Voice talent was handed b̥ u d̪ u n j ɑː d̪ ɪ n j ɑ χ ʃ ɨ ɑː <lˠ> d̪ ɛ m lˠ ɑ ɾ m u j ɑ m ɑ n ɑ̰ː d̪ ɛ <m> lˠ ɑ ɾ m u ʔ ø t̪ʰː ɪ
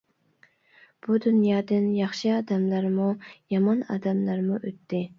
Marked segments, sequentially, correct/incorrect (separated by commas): incorrect, correct